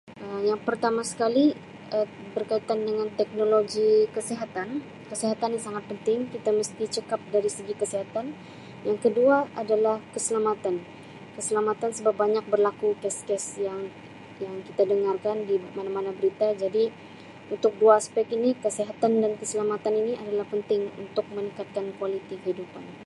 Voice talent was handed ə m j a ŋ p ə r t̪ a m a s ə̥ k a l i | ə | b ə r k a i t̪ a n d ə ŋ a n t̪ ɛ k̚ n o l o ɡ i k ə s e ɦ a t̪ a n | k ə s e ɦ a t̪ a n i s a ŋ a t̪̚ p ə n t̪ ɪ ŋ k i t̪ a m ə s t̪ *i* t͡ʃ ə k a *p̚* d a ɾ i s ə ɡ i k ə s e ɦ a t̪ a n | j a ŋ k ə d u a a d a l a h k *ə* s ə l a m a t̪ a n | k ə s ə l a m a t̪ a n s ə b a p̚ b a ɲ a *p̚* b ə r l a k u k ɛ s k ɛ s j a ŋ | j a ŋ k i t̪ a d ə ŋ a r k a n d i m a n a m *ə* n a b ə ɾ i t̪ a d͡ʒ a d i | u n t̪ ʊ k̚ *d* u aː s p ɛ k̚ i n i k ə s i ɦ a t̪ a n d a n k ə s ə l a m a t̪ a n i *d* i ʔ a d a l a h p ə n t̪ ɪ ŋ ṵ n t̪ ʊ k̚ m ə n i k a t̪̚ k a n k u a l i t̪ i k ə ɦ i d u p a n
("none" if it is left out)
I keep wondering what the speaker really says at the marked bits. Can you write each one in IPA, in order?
i, p̚, ə, k̚, a, d, n

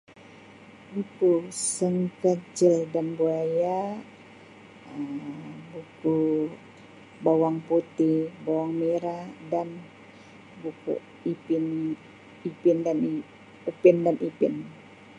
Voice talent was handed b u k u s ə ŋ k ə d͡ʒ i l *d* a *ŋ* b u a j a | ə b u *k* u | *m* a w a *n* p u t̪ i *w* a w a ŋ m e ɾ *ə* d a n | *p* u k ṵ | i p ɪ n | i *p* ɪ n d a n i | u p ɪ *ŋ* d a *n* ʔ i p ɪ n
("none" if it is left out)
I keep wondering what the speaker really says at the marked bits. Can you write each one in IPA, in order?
d, n, k, b, ŋ, b, a, b, p, n, n

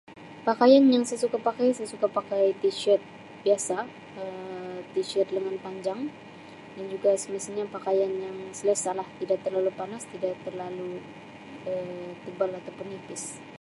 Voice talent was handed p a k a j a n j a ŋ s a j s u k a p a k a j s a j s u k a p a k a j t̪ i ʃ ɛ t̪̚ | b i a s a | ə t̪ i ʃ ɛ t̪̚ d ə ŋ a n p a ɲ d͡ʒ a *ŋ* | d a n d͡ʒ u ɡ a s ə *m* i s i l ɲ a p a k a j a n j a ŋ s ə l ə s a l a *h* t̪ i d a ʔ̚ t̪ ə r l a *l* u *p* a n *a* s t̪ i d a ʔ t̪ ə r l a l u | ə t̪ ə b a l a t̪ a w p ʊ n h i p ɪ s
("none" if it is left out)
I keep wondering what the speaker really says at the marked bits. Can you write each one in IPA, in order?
ŋ, m, h, l, p, a

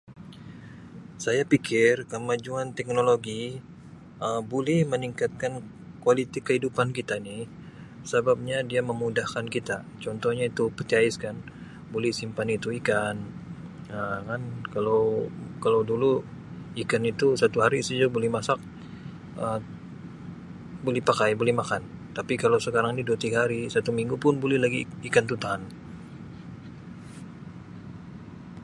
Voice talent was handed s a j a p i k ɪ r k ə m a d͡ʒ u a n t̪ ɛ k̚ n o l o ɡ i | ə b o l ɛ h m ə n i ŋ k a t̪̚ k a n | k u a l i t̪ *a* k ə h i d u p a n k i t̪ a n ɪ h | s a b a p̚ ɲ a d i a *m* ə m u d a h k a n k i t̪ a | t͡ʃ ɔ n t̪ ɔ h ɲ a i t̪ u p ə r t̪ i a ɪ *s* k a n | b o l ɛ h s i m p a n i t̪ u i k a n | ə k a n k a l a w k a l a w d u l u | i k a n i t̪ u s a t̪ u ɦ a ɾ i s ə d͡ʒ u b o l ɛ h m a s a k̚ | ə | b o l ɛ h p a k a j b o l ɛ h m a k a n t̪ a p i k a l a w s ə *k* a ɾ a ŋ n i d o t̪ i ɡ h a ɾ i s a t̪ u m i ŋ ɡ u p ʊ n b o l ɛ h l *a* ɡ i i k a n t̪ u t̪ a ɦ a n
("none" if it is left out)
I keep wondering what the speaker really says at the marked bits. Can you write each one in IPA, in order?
i, m, s, k, a

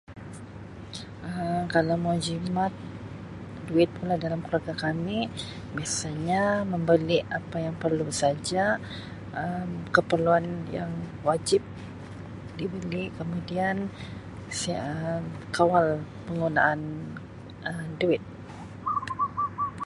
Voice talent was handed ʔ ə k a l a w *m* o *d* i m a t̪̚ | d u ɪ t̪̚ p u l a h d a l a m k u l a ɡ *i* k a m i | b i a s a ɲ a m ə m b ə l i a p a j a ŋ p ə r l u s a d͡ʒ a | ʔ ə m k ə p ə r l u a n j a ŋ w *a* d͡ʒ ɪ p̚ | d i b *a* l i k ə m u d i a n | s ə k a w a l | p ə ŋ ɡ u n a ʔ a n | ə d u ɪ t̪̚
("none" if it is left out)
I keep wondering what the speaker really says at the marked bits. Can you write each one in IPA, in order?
m, d͡ʒ, a, a, ə

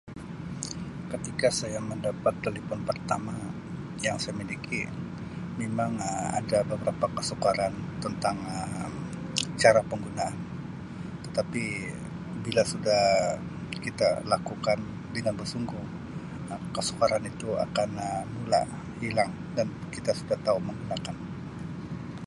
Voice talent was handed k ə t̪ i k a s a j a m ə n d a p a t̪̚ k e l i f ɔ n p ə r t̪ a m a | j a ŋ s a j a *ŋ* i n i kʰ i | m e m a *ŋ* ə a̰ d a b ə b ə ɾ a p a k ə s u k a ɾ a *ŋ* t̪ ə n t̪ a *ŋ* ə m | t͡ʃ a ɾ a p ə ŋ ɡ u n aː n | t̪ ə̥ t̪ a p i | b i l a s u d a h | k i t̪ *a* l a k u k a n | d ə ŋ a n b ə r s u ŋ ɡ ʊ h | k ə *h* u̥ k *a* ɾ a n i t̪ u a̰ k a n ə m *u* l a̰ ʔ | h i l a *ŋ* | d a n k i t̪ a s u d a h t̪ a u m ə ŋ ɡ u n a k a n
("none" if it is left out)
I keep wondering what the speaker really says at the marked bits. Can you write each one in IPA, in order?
m, ŋ, n, ŋ, a, s, a, u, ŋ

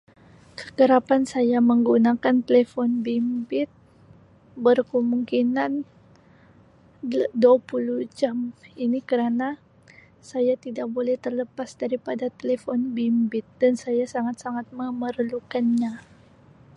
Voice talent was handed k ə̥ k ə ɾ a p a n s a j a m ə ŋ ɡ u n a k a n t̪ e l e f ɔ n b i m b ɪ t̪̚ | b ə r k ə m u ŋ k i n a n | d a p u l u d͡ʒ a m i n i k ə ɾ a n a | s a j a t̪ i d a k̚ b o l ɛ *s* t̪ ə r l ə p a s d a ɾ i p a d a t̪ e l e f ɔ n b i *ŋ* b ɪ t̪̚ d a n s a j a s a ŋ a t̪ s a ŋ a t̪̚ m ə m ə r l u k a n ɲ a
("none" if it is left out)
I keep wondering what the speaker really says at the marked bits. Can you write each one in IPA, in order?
h, m

